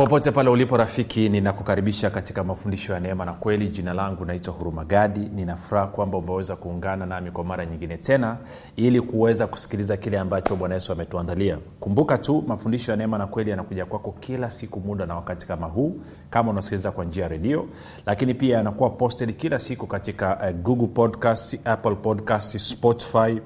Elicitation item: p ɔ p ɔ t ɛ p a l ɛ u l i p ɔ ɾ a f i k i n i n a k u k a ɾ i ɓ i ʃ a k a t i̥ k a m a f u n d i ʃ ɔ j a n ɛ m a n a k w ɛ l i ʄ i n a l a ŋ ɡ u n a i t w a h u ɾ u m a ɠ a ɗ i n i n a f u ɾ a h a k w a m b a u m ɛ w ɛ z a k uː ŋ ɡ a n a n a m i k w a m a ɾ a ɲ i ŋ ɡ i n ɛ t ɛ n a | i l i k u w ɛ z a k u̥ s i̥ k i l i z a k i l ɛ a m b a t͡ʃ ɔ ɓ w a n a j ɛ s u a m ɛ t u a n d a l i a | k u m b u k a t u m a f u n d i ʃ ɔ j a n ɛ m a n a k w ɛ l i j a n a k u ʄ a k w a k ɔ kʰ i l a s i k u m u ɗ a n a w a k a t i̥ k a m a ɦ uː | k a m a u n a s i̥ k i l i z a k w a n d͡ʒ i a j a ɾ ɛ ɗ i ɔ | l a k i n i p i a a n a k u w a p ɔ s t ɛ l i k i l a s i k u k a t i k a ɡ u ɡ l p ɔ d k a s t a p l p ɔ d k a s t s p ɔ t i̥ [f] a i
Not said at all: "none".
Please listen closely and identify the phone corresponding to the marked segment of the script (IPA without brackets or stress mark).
f